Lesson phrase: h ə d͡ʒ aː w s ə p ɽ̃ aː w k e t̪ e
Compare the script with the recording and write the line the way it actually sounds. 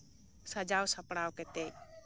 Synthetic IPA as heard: s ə d͡ʒ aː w s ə p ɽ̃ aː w k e t̪ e